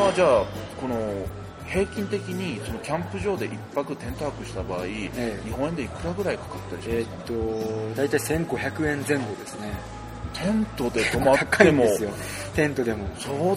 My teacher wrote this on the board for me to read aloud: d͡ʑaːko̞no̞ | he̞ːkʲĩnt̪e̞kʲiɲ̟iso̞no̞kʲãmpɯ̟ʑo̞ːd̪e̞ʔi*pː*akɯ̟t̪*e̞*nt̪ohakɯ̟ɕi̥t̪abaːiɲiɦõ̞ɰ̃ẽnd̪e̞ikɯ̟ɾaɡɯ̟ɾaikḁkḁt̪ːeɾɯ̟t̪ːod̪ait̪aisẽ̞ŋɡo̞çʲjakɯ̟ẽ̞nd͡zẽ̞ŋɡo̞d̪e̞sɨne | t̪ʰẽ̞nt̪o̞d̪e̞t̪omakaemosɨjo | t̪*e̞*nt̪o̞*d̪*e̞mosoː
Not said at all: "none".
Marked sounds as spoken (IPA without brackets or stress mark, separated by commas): pː, ẽ̞, ẽ̞, d̪